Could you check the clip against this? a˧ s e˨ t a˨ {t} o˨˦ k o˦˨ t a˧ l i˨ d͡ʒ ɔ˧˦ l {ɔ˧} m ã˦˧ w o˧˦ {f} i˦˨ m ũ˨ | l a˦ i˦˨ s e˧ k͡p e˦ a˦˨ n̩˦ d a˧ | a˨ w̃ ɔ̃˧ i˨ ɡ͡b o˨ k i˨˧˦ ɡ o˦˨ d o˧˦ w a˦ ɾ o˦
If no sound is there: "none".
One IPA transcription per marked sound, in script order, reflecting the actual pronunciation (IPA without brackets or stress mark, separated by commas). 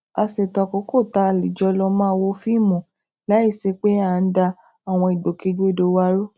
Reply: k, ɔ˧, f